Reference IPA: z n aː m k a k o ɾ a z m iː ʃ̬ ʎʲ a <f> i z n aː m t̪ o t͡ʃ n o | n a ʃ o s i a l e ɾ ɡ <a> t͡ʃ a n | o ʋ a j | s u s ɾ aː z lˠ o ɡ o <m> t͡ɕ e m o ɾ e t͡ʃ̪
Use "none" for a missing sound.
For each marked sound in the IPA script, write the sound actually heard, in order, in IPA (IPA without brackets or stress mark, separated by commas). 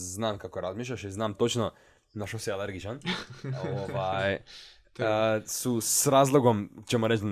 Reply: ʃ, i, m